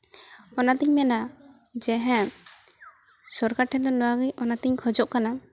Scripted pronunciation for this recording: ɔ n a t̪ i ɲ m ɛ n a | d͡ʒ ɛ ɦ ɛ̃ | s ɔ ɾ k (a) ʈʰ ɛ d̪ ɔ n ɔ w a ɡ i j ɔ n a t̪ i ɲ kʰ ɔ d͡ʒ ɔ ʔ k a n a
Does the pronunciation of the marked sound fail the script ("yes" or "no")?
no